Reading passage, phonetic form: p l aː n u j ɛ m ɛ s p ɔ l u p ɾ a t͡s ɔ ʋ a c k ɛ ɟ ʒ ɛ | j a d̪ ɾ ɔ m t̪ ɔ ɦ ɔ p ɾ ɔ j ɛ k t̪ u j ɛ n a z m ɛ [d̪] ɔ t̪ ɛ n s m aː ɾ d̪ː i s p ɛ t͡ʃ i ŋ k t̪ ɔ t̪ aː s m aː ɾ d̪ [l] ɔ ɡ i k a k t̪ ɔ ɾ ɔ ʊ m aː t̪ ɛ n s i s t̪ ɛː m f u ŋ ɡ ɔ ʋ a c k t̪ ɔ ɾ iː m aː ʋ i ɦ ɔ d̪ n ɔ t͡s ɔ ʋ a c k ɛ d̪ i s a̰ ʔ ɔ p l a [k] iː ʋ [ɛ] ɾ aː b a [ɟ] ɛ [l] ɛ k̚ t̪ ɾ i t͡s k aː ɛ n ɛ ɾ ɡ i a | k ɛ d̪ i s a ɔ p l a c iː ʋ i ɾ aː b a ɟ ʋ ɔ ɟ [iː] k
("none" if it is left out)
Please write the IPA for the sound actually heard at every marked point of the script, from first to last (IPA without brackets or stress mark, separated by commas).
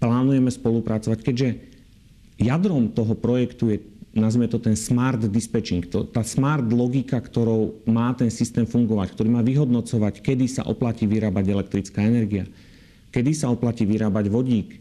t̪, l, c, i, ɟ, l, iː